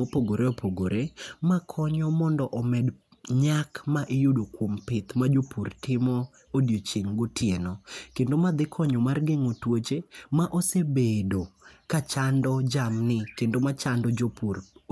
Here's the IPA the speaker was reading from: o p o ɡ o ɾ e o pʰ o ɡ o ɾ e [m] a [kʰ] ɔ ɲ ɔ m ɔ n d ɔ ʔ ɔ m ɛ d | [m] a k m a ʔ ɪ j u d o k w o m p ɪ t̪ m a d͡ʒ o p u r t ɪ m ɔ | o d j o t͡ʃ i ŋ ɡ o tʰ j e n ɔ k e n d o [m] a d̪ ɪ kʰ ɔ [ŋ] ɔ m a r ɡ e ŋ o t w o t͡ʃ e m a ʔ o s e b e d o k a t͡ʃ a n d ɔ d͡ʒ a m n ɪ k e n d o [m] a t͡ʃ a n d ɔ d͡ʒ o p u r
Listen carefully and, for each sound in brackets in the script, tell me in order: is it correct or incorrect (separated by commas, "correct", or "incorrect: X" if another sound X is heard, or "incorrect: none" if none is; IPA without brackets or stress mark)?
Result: correct, correct, incorrect: ɲ, correct, incorrect: ɲ, correct